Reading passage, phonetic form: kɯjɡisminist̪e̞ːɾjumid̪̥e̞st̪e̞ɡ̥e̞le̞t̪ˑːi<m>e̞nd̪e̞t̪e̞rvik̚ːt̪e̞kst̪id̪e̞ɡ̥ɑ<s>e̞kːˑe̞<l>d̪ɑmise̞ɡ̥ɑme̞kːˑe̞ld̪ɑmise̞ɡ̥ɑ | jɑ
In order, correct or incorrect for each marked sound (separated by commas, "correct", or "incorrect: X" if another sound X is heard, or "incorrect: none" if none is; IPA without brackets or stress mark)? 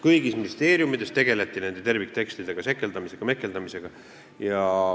incorrect: n, correct, correct